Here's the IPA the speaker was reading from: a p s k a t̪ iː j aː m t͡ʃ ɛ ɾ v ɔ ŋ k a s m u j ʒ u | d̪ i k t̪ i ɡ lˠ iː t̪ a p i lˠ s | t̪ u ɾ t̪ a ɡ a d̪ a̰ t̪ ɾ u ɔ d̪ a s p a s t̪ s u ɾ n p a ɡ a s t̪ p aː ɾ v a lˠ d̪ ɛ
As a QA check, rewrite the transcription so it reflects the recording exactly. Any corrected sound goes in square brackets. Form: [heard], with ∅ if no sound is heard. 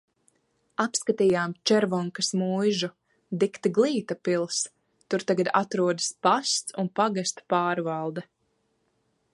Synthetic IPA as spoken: a p s k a t̪ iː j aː m t͡ʃ ɛ ɾ v ɔ ŋ k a s m u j ʒ u | d̪ i k t̪ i ɡ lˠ iː t̪ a p i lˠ s | t̪ u ɾ t̪ a ɡ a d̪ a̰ t̪ ɾ u ɔ d̪ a s p a s t̪ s u [∅] n p a ɡ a s t̪ p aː ɾ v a lˠ d̪ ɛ